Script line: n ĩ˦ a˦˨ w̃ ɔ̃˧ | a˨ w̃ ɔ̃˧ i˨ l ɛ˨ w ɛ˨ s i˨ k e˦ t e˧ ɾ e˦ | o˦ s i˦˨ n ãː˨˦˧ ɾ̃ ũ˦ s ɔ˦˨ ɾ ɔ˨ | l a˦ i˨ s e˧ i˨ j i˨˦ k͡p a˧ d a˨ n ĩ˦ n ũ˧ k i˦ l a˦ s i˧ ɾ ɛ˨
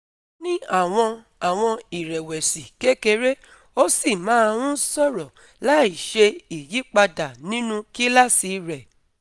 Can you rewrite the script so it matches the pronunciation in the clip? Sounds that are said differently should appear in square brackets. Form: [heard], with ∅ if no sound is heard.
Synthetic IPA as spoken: n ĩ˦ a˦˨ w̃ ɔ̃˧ | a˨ w̃ ɔ̃˧ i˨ [ɾ] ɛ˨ w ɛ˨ s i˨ k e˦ [k] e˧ ɾ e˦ | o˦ s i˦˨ [m] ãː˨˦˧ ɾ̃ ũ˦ s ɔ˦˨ ɾ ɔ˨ | l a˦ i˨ [ʃ] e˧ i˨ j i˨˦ k͡p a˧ d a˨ n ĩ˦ n ũ˧ k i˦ l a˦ s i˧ ɾ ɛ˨